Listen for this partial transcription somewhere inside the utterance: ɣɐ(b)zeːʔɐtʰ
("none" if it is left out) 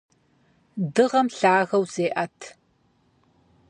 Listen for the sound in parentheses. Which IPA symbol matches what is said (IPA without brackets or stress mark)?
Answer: w